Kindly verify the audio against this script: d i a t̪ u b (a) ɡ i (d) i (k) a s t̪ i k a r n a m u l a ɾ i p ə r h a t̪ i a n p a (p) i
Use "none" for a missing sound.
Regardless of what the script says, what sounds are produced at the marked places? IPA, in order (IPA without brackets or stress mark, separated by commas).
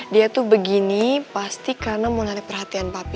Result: ə, n, p, p